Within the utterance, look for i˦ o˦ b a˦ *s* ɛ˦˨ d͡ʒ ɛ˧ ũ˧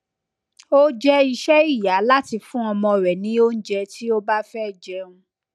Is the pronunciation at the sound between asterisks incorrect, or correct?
incorrect: f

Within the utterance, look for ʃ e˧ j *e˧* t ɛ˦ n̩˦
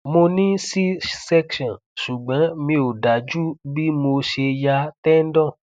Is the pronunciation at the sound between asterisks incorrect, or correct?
incorrect: a˧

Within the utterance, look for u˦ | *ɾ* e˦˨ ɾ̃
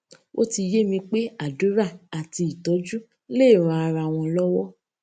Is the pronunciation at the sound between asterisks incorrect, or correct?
incorrect: l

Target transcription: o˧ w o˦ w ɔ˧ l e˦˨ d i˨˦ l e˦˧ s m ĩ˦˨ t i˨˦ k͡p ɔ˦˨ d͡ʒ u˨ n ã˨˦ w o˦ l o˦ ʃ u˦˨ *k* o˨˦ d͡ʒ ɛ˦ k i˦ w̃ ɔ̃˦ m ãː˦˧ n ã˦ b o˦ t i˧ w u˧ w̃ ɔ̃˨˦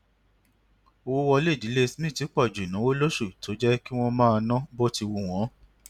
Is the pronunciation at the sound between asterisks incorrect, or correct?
incorrect: t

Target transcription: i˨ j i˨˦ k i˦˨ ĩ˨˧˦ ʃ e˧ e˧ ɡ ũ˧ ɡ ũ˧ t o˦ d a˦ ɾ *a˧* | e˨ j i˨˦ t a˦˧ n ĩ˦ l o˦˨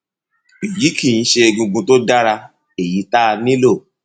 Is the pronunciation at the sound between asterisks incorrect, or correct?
correct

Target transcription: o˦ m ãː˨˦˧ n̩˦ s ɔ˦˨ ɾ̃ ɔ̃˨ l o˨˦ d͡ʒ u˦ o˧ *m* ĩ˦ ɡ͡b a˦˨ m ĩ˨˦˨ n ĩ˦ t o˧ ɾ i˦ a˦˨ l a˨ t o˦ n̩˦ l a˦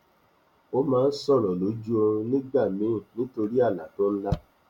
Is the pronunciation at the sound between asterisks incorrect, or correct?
incorrect: n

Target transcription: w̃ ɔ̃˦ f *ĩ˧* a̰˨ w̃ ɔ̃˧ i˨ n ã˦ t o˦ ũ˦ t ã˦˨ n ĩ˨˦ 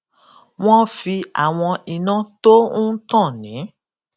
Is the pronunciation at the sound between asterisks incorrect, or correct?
incorrect: i˧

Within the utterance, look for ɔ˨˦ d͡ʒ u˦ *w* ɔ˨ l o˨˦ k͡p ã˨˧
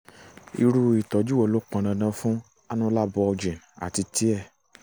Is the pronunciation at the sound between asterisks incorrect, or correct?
correct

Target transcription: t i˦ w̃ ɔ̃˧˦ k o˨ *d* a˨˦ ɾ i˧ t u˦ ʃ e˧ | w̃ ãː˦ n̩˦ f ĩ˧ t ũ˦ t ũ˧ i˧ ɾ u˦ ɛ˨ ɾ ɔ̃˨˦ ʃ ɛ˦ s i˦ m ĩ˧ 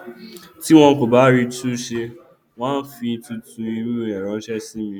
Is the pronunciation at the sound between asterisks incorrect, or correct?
incorrect: b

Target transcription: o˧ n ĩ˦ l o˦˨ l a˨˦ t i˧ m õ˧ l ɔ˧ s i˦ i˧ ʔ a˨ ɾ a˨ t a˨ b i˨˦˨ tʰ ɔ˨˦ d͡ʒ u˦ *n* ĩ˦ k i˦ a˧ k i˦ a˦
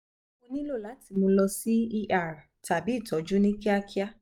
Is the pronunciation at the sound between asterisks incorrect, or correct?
correct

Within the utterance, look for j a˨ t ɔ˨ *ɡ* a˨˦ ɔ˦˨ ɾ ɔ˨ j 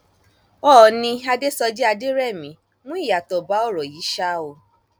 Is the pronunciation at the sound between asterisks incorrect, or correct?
incorrect: b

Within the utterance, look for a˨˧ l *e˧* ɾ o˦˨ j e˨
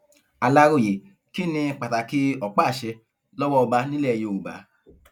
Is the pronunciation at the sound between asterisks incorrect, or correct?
incorrect: a˧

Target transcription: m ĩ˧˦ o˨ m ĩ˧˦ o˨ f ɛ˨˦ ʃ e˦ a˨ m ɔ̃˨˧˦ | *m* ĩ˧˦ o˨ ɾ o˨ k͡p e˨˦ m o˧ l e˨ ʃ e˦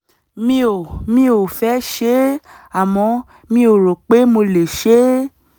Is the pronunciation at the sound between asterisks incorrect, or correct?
correct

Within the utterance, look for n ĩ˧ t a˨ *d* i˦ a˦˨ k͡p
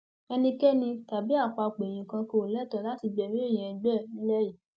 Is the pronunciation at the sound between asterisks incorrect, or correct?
incorrect: b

